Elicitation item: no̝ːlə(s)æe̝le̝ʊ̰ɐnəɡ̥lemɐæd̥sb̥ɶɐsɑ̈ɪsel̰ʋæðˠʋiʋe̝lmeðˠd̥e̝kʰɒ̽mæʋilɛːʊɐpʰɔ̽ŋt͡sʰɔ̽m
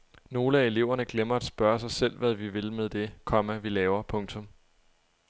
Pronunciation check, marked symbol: incorrect: none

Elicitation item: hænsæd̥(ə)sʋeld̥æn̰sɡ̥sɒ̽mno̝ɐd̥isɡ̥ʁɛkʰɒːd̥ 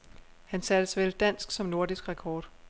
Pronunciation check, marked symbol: correct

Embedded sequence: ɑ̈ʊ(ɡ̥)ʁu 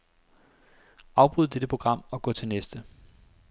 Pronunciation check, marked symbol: incorrect: b̥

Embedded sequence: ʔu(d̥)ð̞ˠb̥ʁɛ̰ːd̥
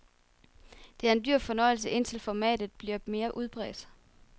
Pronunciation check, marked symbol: incorrect: none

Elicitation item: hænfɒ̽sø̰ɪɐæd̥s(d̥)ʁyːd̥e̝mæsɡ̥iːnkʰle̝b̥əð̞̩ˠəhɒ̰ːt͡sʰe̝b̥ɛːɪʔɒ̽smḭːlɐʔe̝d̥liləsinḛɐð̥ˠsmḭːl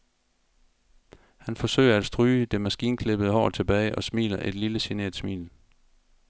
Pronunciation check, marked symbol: correct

